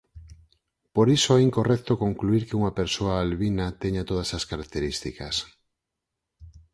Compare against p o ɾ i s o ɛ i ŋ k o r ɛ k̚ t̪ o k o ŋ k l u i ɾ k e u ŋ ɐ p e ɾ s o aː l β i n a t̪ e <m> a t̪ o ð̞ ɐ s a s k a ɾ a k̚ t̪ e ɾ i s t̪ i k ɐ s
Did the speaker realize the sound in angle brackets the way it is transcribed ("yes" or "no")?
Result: no